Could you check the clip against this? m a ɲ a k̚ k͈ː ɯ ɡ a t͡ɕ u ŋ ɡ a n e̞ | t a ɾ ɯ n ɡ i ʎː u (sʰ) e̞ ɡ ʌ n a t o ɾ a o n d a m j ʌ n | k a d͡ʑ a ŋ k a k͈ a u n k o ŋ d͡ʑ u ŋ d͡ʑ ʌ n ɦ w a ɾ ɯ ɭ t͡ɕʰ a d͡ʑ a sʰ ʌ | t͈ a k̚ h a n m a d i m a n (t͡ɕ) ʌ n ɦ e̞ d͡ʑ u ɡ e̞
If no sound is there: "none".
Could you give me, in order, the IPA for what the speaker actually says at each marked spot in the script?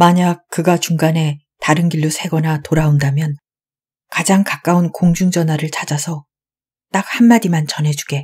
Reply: sʰ, t͡ɕ

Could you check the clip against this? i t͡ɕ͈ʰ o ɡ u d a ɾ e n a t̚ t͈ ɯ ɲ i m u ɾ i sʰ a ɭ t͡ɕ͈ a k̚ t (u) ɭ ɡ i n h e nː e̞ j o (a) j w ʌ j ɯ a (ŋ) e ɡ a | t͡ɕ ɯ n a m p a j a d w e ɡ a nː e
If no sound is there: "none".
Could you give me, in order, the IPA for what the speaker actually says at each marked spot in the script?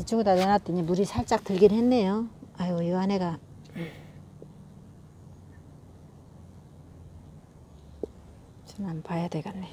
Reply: ɯ, a, n

